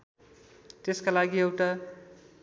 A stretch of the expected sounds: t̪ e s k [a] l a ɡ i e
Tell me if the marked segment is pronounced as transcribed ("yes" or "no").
yes